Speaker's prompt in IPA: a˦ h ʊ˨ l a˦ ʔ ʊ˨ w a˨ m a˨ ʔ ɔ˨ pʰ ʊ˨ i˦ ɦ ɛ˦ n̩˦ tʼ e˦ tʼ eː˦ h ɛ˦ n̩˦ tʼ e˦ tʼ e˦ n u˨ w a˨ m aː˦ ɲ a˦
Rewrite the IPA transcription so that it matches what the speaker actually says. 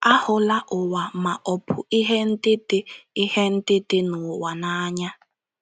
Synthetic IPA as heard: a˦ h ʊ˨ l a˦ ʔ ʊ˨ w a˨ m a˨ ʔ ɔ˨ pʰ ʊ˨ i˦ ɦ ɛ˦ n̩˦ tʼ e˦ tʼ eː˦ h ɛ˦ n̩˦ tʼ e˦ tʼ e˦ n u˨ w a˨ n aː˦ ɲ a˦